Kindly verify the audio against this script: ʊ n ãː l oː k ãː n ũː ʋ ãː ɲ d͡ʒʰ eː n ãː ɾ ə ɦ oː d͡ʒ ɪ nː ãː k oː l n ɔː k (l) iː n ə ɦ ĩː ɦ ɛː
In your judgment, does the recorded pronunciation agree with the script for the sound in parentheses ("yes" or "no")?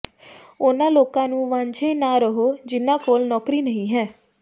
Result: no